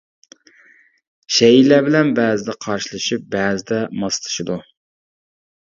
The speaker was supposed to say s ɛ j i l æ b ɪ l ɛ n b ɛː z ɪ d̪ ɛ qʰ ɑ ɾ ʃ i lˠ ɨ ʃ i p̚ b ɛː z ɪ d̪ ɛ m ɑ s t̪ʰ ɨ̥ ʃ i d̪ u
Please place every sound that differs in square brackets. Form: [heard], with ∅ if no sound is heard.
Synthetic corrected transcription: [ʃ] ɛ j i l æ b ɪ l ɛ n b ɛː z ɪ d̪ ɛ qʰ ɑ ɾ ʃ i lˠ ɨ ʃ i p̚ b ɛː z ɪ d̪ ɛ m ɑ s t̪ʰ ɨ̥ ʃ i d̪ u